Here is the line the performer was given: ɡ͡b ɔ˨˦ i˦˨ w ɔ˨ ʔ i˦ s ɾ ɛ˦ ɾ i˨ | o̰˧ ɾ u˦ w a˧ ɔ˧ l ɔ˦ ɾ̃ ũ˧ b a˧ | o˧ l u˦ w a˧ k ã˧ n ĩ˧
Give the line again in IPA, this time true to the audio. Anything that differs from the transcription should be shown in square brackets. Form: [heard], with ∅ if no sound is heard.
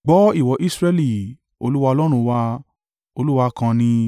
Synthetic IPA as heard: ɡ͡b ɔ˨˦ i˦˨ w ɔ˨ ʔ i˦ s ɾ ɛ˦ [l] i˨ | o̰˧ [l] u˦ w a˧ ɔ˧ l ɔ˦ ɾ̃ ũ˧ [w] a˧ | o˧ l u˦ w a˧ k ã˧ n ĩ˧